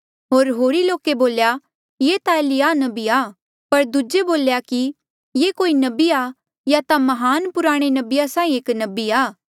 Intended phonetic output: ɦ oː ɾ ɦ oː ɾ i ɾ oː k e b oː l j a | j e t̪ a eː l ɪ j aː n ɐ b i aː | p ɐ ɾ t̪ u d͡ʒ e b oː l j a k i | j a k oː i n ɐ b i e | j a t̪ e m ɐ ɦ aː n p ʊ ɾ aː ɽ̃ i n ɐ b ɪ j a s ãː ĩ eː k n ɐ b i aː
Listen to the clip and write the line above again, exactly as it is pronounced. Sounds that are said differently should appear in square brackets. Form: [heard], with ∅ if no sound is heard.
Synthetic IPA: ɦ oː ɾ ɦ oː ɾ i [l] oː k e b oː l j a | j e t̪ a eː l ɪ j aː n ɐ b i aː | p ɐ ɾ [d̪] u d͡ʒ e b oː l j a k i | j [e] k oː i n ɐ b i [a] | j a t̪ [a] m ɐ ɦ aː n p ʊ ɾ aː ɽ̃ [e] n ɐ b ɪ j a s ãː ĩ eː k n ɐ b i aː